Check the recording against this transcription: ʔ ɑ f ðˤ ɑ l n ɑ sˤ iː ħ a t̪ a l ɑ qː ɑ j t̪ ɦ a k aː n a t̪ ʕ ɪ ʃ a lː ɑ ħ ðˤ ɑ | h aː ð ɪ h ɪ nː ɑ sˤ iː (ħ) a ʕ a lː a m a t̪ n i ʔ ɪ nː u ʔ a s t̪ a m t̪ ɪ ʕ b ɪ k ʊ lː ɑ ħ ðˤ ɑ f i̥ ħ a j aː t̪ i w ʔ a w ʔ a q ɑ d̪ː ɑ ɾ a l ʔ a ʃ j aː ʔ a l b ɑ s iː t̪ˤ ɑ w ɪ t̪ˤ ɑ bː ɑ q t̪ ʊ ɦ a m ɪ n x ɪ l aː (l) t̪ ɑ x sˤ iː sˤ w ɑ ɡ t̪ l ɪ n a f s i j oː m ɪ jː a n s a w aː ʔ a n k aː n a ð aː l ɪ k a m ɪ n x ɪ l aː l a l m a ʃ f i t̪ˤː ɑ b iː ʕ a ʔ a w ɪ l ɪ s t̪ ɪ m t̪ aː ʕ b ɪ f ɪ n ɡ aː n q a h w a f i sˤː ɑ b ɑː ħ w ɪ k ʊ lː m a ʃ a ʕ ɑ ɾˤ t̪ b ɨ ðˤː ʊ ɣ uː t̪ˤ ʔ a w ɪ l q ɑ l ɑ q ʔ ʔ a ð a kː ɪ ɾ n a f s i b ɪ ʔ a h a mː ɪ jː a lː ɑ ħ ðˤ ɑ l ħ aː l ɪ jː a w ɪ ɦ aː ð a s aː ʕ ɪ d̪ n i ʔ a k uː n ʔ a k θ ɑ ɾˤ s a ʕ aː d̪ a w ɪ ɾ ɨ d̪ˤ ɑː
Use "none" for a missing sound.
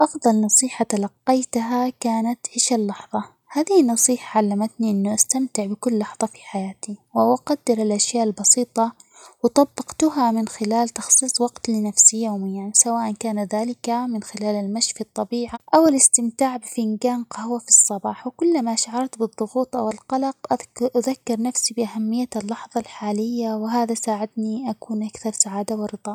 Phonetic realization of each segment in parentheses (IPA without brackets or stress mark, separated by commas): ħ, l